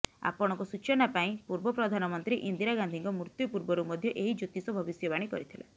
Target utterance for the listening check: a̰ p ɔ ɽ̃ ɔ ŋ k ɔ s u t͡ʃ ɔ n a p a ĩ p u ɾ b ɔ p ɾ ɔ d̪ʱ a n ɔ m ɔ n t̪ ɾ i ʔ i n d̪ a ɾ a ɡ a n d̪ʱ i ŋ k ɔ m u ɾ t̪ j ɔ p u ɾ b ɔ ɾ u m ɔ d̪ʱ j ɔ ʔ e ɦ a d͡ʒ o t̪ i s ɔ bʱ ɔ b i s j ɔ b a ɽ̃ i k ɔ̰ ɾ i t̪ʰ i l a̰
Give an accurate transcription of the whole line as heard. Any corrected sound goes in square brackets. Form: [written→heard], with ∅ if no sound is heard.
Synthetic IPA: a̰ p ɔ ɽ̃ ɔ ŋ k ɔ s u t͡ʃ ɔ n a p a ĩ p u ɾ b ɔ p ɾ ɔ d̪ʱ a n ɔ m ɔ n t̪ ɾ i ʔ i n d̪ [a→i] ɾ a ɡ a n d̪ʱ i ŋ k ɔ m u ɾ t̪ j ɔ p u ɾ b ɔ ɾ u m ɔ d̪ʱ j ɔ ʔ e ɦ [a→i] d͡ʒ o t̪ i s ɔ bʱ ɔ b i s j ɔ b a ɽ̃ i k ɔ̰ ɾ i t̪ʰ i l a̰